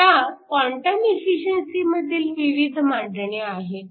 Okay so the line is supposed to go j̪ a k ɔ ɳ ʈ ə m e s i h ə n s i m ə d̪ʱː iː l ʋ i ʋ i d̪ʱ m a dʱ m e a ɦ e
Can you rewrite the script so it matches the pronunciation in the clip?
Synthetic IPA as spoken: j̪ a k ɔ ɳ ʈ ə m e f i ɕ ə n s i m ə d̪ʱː iː l ʋ i ʋ i d̪ʱ m a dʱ ɳ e a ɦ e